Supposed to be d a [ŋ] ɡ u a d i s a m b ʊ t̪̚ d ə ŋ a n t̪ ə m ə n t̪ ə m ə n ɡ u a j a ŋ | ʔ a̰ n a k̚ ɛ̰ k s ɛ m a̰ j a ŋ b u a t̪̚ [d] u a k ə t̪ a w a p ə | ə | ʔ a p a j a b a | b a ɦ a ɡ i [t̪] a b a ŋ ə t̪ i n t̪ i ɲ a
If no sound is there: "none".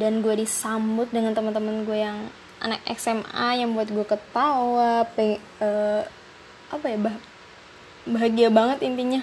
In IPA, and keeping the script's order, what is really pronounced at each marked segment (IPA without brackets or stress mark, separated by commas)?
n, ɡ, none